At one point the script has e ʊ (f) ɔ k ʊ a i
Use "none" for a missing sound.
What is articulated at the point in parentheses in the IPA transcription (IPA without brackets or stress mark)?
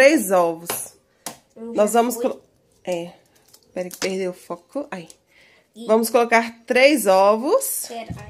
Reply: f